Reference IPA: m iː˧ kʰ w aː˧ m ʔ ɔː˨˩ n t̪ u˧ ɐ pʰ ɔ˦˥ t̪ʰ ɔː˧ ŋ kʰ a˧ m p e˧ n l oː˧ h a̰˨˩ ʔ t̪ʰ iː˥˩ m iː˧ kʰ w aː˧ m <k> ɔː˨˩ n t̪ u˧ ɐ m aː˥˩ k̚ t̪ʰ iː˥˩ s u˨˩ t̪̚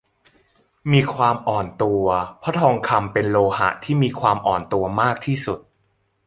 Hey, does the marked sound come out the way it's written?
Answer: no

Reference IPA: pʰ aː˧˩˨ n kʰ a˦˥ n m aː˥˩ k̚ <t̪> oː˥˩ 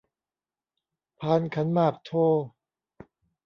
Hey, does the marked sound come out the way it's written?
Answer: no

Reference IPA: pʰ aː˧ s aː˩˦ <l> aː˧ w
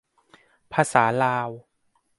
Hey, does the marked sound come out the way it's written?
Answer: yes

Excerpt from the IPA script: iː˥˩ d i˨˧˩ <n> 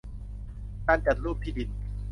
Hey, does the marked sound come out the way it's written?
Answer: yes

